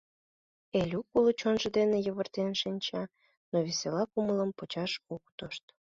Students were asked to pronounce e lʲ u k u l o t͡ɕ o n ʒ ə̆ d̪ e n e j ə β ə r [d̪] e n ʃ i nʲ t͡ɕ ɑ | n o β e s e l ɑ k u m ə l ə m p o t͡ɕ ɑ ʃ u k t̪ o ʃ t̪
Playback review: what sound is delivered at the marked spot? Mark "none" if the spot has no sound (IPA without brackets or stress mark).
t̪